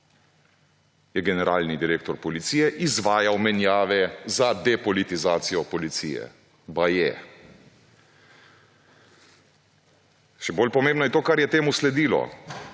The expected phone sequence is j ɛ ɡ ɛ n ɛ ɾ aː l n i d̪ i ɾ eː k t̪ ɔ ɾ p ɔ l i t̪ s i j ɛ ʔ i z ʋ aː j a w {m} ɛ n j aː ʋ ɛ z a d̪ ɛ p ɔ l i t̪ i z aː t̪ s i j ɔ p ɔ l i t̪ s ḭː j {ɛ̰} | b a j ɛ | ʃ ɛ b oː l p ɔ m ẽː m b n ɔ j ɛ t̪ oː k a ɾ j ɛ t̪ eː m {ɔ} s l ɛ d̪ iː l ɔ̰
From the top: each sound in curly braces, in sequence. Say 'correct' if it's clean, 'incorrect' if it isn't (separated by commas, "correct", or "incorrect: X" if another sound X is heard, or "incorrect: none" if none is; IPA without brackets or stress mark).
correct, correct, incorrect: u